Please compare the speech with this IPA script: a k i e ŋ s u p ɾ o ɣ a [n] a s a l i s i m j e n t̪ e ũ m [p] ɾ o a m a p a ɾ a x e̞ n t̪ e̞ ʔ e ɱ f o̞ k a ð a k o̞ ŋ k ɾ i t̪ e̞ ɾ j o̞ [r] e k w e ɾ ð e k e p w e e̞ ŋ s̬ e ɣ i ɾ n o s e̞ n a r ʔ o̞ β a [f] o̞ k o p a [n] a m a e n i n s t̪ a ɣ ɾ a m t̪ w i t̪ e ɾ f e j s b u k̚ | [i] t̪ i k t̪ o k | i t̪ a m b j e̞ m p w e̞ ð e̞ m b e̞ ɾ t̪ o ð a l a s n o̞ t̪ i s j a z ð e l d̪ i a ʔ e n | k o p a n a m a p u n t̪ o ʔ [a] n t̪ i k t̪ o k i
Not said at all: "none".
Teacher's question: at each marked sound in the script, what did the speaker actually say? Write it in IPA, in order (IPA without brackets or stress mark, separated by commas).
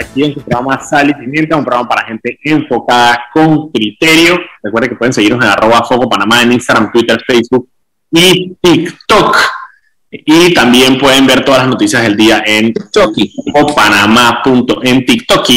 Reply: m, p, r, f, n, i, e